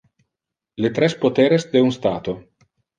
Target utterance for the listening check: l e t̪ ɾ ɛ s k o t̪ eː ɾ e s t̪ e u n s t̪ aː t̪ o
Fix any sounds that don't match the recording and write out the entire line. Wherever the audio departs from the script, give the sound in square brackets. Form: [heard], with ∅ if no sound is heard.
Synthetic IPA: l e t̪ ɾ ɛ s [p] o t̪ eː ɾ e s [d̪] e u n s t̪ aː t̪ o